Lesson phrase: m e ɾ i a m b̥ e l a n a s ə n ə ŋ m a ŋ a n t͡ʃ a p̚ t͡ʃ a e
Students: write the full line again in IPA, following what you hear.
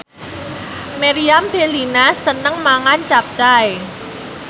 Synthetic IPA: m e ɾ i a m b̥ e l i n a s ə n ə ŋ m a ŋ a n t͡ʃ a p̚ t͡ʃ a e